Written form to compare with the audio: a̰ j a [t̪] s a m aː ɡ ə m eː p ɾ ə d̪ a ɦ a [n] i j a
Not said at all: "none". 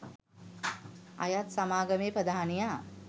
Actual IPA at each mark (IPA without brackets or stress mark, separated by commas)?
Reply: t̪, n